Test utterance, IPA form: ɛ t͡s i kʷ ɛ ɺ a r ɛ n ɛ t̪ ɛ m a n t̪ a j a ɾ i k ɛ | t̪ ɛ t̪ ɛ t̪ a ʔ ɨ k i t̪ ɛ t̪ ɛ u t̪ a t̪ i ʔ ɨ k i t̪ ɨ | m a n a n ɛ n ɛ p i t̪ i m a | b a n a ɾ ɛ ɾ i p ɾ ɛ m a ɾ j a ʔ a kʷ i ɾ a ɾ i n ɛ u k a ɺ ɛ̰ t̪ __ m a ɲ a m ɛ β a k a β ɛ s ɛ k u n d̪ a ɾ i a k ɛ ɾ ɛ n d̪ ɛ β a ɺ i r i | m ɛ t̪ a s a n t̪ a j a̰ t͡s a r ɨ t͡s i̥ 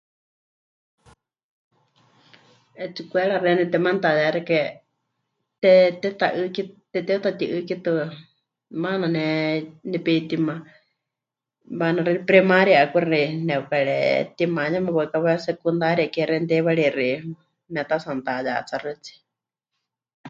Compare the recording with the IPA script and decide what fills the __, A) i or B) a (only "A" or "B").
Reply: A